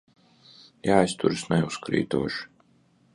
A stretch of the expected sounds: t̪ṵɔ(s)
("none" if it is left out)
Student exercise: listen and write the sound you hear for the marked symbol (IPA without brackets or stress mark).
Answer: ʃ